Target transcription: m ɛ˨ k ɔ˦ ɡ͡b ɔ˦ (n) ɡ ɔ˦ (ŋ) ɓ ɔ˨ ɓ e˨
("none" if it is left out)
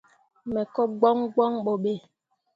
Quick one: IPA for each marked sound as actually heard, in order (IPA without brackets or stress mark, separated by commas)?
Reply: ŋ, ŋ